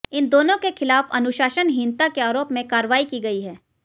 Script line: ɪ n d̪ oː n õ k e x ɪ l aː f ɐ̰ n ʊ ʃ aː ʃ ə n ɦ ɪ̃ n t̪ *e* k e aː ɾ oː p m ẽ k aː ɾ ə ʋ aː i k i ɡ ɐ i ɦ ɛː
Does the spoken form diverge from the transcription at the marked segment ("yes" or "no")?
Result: yes